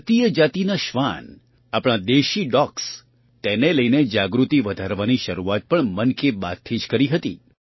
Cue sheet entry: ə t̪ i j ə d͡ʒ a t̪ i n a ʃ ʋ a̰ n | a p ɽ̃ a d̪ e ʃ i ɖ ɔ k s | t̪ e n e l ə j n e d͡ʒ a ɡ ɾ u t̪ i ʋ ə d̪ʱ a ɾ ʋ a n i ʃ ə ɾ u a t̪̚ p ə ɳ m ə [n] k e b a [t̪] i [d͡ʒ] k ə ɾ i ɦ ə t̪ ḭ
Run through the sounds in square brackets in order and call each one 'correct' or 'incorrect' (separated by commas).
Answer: correct, incorrect, correct